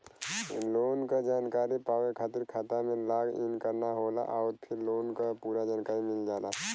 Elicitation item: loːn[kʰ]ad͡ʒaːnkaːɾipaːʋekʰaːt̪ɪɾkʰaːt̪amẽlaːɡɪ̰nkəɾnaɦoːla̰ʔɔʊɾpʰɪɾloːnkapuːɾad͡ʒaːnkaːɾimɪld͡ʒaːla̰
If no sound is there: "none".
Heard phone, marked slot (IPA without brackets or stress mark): k